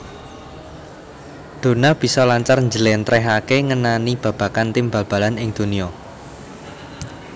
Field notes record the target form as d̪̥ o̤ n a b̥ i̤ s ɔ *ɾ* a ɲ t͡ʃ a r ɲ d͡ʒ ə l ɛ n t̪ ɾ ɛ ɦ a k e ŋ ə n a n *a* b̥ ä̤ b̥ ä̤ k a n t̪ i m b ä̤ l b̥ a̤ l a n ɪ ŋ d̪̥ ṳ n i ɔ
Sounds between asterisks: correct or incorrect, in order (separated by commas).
incorrect, incorrect